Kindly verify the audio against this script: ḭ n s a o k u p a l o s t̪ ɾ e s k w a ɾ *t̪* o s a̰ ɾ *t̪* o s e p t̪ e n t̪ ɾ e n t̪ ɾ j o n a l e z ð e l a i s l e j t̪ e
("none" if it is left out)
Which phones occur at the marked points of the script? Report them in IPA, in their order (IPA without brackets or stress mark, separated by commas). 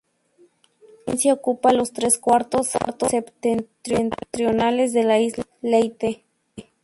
t̪, t̪